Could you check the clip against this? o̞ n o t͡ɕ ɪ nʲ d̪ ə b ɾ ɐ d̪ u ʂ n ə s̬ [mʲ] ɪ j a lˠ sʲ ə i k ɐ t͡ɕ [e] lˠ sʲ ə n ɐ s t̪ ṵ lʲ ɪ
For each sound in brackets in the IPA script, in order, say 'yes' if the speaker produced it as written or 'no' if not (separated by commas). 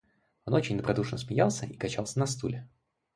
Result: yes, no